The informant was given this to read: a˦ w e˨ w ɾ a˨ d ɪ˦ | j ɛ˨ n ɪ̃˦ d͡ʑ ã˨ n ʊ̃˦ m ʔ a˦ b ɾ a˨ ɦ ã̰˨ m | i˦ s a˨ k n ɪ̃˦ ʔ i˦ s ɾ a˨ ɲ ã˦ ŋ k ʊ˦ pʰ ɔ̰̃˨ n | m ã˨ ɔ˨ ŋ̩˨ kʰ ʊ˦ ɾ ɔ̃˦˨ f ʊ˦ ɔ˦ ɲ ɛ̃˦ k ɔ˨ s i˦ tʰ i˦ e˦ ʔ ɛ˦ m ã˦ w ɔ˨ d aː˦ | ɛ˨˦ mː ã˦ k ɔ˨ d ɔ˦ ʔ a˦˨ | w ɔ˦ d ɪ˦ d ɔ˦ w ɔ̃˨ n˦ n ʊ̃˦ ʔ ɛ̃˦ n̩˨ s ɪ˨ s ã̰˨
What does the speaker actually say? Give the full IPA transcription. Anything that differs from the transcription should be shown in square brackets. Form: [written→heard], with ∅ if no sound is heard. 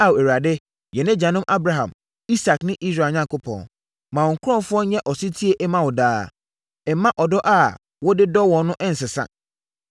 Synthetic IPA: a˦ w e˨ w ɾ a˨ d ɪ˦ | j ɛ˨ n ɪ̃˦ d͡ʑ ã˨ n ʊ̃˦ m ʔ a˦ b ɾ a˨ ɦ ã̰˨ m | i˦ s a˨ k n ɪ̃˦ ʔ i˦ s ɾ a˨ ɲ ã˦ ŋ k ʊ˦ pʰ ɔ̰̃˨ n | m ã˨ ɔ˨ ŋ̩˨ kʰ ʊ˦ ɾ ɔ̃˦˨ f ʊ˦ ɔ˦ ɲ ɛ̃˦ [k→ʔ] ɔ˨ s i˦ tʰ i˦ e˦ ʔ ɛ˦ m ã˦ w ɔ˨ d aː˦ | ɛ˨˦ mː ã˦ [k→ʔ] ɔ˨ d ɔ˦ ʔ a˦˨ | w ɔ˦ d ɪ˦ d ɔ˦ w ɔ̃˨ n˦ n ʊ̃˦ ʔ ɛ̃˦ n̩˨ s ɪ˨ s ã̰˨